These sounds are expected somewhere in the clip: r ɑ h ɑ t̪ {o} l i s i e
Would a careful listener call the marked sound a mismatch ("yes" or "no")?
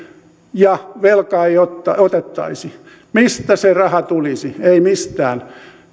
yes